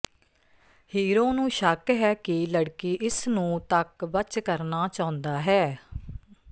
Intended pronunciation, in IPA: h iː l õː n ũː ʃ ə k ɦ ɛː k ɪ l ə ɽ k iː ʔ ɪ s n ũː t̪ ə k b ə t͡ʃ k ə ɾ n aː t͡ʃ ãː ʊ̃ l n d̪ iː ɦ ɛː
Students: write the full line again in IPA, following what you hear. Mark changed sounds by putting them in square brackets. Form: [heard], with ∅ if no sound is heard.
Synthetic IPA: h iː [ɾ] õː n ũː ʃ ə k ɦ ɛː k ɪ l ə ɽ k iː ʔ ɪ s n ũː t̪ ə k b ə t͡ʃ k ə ɾ n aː t͡ʃ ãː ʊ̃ [∅] n d̪ [aː] ɦ ɛː